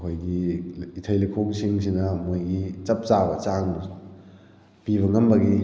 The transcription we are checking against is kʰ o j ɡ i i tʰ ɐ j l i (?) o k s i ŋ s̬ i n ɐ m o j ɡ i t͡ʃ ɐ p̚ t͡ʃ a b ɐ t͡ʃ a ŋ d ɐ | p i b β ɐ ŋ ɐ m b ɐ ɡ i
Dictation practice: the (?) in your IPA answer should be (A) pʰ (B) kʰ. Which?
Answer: B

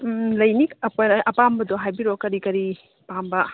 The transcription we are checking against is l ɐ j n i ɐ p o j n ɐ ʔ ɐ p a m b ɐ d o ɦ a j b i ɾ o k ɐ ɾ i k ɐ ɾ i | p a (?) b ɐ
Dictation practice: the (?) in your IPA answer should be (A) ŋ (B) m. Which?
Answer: B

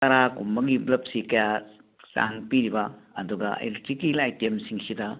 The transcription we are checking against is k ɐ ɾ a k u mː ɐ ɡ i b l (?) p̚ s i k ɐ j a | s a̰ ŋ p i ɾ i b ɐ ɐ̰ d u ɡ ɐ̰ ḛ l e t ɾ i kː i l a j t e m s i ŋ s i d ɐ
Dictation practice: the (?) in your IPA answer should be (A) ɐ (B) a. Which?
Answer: A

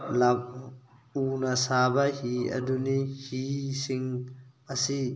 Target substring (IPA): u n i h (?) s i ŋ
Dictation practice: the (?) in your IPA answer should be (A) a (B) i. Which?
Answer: B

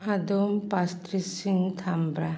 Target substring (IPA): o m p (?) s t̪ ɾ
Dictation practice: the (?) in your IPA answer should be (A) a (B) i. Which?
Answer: A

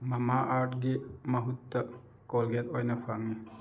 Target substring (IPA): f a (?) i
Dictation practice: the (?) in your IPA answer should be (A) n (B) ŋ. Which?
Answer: B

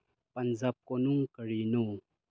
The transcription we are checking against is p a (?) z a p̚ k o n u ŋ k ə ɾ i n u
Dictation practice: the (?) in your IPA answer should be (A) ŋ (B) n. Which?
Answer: B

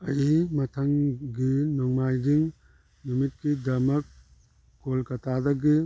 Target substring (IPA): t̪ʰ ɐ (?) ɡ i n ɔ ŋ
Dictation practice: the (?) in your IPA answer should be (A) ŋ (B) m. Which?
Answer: A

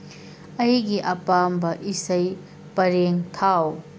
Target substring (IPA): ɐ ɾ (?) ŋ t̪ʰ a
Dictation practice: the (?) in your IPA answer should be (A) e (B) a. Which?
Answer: A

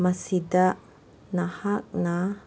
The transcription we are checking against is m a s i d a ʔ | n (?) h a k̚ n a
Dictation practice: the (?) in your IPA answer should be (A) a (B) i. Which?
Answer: A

